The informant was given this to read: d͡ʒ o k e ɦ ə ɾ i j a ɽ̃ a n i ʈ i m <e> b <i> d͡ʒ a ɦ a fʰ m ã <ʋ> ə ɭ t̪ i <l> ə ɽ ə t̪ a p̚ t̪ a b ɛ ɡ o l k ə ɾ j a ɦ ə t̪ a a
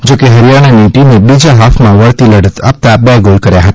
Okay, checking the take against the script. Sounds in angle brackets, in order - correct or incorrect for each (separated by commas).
correct, correct, correct, correct